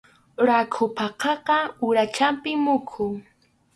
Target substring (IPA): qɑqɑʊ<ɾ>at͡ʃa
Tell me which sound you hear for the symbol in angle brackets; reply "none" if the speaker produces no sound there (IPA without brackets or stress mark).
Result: ɾ